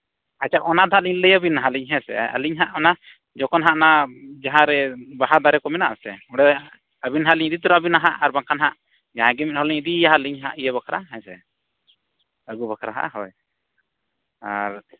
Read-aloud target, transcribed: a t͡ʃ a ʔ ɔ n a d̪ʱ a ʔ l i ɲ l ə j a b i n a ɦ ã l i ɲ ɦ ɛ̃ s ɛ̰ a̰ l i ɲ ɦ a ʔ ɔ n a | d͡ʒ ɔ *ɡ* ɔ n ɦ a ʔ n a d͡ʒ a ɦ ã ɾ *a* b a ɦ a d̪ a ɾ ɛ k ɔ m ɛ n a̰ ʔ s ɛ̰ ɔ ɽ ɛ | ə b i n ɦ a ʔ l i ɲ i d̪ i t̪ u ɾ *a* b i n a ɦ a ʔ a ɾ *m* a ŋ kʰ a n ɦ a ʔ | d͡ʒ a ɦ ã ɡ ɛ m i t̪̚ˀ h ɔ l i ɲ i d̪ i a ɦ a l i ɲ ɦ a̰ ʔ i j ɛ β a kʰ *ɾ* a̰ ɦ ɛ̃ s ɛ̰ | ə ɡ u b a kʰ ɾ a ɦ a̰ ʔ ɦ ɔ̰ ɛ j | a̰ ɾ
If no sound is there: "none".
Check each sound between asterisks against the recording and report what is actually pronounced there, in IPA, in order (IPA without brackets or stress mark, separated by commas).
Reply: k, ɛ, a, b, ɾ